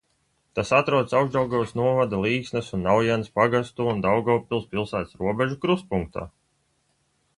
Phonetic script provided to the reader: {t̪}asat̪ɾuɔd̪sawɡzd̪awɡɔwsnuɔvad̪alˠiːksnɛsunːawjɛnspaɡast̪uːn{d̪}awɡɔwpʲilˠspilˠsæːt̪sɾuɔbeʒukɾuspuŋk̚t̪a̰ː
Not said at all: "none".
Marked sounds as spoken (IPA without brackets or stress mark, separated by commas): t̪, d̪